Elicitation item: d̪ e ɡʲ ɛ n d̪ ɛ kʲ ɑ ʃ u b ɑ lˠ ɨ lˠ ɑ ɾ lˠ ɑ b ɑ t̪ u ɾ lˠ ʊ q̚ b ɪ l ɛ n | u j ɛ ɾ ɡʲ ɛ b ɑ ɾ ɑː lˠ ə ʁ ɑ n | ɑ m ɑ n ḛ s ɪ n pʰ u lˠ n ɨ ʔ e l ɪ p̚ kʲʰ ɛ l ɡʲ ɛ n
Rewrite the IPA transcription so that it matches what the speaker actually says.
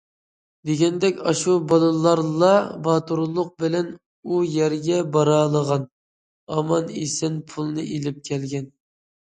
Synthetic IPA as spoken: d̪ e ɡʲ ɛ n d̪ ɛ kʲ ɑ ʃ u b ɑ lˠ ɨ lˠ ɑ ɾ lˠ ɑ b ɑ t̪ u ɾ lˠ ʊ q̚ b ɪ l ɛ n | u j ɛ ɾ ɡʲ ɛ b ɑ ɾ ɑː lˠ ə ʁ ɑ n | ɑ m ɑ n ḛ s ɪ n pʰ u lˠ n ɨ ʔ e l ɪ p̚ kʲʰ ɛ l ɡʲ ɛ n